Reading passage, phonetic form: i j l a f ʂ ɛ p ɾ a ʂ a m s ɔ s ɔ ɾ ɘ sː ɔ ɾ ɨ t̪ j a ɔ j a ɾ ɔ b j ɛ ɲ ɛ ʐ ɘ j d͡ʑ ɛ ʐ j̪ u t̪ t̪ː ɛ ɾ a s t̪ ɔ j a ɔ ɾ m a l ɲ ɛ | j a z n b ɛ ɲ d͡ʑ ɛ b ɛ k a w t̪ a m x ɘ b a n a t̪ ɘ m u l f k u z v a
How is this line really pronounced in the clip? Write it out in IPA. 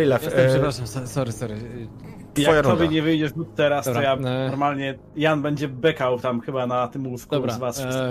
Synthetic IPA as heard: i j l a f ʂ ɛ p ɾ a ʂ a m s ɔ s ɔ ɾ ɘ s ɔ ɾ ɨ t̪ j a ɔ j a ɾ ɔ b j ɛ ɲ ɛ v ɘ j d͡ʑ ɛ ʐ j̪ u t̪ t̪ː ɛ ɾ a s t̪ ɔ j a ɔ ɾ m a l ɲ ɛ | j a n b ɛ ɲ d͡ʑ ɛ b ɛ k a w t̪ a m x ɘ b a n a t̪ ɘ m u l f k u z v a